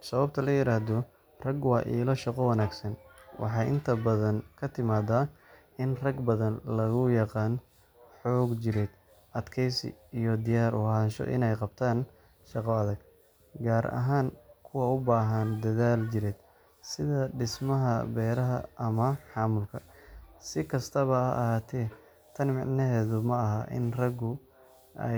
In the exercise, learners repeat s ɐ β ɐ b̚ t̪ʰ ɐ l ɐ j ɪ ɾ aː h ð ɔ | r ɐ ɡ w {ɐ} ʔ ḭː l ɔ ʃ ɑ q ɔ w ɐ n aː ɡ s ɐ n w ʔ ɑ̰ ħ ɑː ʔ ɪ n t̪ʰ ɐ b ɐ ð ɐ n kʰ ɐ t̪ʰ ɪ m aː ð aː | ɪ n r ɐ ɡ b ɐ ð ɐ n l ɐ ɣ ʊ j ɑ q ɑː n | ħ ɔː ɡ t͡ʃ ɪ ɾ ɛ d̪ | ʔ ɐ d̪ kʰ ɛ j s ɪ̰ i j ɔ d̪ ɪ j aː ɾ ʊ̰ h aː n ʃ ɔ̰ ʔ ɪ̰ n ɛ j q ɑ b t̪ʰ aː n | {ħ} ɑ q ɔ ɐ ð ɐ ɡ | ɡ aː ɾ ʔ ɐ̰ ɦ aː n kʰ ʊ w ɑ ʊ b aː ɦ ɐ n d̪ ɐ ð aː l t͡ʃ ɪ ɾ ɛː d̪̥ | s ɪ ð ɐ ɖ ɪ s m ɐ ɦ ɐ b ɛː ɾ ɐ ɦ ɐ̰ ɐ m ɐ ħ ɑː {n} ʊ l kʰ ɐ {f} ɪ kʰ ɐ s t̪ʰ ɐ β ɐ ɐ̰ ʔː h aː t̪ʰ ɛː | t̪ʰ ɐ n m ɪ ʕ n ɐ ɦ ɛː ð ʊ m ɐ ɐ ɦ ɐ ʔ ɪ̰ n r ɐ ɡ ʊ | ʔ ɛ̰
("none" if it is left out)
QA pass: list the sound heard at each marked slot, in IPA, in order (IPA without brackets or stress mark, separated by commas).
ɑ, ʃ, m, s